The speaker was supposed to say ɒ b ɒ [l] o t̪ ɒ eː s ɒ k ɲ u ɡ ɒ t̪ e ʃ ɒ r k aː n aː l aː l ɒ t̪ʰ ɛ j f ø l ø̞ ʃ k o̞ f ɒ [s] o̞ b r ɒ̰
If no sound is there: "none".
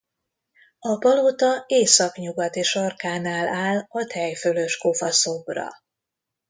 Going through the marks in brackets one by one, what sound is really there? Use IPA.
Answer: l, s

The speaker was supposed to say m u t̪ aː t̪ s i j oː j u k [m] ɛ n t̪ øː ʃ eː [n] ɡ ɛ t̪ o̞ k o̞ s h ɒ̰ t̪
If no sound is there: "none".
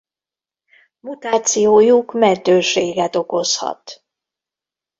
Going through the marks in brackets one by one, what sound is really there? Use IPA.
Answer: m, none

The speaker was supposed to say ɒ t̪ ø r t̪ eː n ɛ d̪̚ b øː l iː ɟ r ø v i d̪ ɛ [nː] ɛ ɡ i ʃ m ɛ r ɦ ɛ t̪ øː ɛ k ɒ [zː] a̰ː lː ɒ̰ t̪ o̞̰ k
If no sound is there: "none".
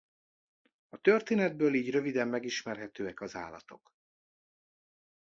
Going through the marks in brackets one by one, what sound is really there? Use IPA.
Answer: mː, z

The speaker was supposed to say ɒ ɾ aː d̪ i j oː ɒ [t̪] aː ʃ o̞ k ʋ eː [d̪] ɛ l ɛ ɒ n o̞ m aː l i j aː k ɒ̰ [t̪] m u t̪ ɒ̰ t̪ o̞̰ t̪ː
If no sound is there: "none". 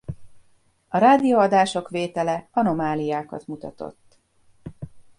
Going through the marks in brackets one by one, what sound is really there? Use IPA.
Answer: d̪, t̪, t̪

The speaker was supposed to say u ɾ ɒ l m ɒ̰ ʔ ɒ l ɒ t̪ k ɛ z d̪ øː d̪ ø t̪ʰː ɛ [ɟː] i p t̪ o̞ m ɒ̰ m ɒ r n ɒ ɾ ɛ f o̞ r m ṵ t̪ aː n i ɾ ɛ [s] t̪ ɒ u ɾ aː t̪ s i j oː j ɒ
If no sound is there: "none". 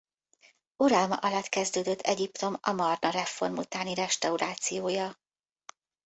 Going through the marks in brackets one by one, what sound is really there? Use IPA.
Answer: ɟ, ʃ

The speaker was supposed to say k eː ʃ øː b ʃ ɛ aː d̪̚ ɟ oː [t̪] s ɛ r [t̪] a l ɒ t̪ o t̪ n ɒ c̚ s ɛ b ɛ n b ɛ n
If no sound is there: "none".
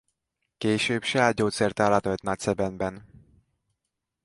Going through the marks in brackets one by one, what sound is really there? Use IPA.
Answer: t̪, t̪

